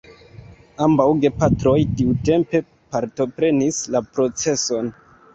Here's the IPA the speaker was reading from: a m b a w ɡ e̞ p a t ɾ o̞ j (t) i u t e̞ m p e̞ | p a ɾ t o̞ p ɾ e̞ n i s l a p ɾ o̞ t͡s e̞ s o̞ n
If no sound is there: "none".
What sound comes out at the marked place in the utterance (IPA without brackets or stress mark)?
t